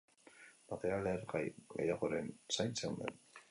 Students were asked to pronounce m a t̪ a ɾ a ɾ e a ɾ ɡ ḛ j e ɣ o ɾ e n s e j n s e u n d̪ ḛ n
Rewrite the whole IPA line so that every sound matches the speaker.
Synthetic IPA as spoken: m a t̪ e ɾ a l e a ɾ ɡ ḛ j a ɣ o ɾ e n s a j n s e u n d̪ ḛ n